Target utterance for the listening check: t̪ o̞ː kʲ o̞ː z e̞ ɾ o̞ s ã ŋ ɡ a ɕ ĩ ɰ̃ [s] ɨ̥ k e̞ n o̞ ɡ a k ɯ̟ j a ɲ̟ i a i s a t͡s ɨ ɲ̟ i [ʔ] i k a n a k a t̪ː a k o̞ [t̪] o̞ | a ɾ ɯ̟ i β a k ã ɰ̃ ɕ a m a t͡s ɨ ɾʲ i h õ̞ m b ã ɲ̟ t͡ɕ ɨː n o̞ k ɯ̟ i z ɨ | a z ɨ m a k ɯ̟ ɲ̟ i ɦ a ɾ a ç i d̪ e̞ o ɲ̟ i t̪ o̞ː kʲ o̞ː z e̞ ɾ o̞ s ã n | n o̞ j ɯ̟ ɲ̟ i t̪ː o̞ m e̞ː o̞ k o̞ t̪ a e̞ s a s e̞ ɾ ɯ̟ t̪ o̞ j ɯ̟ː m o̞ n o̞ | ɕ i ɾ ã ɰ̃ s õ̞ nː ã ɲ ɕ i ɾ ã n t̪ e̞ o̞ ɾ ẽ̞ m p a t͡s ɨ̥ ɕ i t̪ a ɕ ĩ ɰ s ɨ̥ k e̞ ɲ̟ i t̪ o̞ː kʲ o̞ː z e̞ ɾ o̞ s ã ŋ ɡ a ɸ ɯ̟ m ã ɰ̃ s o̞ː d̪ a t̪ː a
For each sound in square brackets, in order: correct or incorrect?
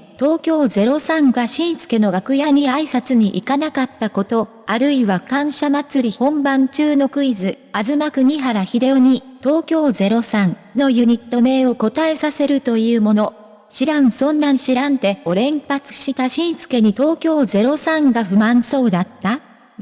correct, correct, correct

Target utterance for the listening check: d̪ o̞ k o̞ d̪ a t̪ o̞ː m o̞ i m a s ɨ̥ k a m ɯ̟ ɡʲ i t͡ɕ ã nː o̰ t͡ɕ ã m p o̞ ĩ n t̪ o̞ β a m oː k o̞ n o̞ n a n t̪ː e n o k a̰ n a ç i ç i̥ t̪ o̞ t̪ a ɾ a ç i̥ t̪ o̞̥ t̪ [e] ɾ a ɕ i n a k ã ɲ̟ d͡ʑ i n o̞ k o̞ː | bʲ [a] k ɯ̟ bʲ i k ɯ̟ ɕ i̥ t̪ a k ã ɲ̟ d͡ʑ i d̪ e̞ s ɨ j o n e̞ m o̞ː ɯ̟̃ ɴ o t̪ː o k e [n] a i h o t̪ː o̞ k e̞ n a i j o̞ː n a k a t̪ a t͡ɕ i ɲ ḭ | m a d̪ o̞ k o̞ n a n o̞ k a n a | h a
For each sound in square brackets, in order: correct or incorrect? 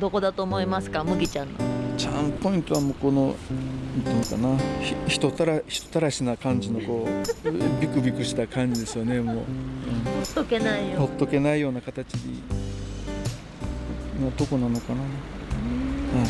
incorrect: a, incorrect: i, correct

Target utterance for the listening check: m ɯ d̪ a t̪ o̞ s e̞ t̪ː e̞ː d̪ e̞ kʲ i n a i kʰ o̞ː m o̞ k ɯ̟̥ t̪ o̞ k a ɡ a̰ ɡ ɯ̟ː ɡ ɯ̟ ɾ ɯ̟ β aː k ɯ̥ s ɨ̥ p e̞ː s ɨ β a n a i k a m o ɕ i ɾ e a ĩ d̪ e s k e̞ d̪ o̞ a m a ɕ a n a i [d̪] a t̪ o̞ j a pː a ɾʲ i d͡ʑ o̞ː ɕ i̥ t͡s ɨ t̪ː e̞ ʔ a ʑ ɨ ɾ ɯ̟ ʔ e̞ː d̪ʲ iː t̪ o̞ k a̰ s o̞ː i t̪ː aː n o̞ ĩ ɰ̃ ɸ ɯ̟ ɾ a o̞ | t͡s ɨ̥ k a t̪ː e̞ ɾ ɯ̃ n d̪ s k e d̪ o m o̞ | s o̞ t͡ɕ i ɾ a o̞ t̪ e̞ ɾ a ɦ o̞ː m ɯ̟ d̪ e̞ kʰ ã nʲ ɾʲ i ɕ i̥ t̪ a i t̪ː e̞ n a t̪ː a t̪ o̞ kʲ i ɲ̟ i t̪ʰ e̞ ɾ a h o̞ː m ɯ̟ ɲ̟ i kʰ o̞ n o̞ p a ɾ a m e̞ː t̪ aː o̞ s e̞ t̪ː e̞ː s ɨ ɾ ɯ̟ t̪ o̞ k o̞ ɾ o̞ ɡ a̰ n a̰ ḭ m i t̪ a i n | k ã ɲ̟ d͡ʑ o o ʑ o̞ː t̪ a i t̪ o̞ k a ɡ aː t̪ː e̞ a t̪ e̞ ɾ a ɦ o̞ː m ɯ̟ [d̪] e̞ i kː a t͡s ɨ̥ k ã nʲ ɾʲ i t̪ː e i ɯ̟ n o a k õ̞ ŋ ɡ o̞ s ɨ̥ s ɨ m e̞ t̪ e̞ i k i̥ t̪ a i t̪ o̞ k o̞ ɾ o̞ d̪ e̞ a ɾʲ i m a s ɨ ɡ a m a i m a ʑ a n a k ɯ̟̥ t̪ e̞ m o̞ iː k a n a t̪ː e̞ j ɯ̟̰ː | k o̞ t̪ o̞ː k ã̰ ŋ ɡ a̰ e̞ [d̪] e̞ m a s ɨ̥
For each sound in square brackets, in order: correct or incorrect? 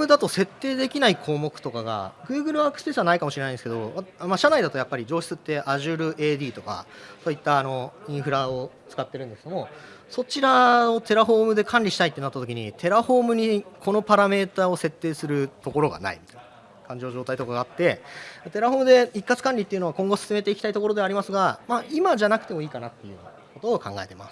correct, correct, incorrect: t̪

